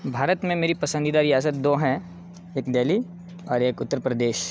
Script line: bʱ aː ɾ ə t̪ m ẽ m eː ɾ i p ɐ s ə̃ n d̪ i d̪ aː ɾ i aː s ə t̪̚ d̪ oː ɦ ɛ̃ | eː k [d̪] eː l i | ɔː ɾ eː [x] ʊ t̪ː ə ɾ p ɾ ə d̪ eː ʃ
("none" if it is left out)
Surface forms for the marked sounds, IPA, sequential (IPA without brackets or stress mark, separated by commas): d̪, k